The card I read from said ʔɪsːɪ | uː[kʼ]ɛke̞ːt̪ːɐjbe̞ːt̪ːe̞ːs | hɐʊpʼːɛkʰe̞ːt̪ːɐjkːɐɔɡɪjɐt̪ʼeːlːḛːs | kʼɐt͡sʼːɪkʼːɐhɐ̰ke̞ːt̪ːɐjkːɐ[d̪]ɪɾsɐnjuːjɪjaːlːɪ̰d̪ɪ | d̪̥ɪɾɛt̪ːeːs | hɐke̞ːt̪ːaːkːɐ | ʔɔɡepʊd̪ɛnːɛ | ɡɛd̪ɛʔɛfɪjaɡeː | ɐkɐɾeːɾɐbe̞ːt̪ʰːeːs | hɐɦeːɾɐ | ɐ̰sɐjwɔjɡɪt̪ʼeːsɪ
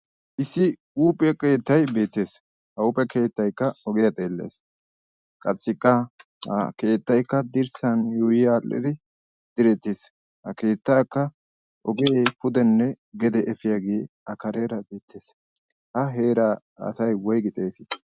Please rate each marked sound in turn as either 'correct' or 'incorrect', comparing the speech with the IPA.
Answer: incorrect: pʼ, correct

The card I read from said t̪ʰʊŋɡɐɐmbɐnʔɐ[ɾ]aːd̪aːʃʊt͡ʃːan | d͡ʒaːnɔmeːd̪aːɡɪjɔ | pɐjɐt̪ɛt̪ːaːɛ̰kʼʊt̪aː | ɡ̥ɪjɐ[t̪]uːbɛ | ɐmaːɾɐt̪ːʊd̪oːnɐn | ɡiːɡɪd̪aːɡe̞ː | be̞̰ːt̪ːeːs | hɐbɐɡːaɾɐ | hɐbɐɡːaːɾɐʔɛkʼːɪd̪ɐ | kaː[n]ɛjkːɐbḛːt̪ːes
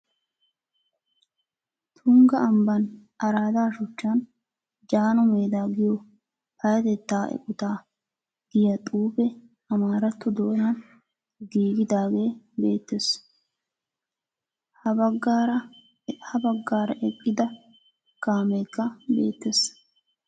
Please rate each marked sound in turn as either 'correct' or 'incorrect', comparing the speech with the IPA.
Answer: correct, incorrect: t̪ʼ, incorrect: m

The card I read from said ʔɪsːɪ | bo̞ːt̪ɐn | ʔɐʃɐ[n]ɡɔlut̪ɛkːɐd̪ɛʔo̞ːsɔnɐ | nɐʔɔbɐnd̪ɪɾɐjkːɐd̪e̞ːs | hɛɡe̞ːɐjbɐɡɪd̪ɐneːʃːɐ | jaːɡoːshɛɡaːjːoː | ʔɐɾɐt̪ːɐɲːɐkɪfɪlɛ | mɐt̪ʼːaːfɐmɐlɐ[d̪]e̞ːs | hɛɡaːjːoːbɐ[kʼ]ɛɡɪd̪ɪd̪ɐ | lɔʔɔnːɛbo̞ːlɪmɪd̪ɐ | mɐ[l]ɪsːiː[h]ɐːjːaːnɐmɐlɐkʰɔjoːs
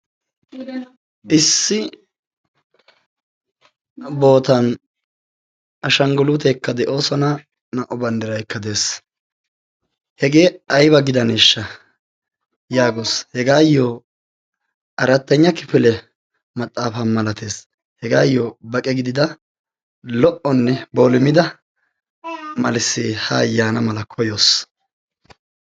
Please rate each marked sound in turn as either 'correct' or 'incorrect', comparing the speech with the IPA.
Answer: incorrect: ŋ, incorrect: t̪, correct, correct, correct

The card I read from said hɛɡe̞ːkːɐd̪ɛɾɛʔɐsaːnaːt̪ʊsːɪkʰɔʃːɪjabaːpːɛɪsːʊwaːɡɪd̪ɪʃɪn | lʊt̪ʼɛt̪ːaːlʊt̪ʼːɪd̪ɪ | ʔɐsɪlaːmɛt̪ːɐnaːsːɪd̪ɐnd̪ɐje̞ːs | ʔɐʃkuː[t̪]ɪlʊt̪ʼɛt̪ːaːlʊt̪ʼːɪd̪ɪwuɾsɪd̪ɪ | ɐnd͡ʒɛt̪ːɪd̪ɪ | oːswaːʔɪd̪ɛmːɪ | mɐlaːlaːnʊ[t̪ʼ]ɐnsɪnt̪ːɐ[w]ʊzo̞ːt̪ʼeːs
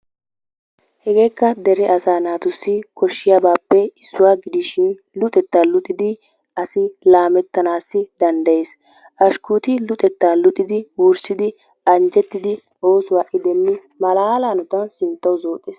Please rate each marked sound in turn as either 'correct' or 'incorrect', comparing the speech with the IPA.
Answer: correct, incorrect: t̪, correct

